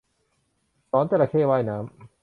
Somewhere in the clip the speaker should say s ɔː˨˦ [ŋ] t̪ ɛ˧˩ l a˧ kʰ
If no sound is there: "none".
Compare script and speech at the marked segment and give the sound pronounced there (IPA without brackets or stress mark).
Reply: n